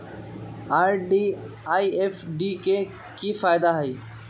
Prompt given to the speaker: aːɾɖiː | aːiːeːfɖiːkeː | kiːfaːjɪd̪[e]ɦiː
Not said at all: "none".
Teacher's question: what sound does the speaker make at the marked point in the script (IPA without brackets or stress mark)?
a